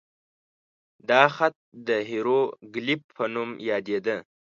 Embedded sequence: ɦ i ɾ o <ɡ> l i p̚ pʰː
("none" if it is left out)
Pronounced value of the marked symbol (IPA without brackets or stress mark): ɡ